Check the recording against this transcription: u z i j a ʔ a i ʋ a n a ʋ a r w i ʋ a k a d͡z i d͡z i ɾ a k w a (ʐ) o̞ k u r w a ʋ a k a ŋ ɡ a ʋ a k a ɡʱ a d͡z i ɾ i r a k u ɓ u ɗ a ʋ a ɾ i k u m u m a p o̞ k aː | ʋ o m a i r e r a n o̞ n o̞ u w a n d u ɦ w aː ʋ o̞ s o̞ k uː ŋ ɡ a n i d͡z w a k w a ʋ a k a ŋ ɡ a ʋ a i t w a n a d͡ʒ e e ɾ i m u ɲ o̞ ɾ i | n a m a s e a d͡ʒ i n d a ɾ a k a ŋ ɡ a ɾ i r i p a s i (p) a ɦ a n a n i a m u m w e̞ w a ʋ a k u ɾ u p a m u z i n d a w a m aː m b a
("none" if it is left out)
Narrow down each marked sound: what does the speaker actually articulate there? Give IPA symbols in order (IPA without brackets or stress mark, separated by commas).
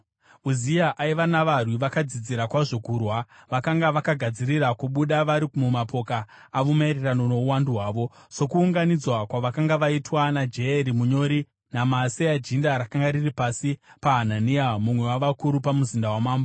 ʐ, p